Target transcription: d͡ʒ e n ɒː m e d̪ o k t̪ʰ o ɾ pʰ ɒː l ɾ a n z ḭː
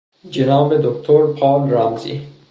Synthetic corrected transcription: d͡ʒ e n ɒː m e d̪ o k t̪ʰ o ɾ pʰ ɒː l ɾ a m z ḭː

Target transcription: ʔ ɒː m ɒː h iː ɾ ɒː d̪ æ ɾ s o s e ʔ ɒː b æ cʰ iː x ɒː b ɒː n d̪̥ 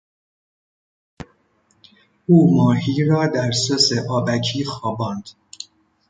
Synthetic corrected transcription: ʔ uː m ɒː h iː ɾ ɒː d̪ æ ɾ s o s e ʔ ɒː b æ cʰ iː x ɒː b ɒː n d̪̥

